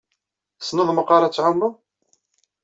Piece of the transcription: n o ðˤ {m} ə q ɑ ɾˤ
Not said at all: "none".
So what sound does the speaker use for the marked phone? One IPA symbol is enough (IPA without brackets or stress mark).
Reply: m